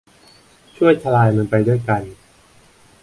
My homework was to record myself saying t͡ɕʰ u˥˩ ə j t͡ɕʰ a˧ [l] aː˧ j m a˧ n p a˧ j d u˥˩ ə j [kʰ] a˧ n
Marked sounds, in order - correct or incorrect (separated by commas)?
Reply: correct, incorrect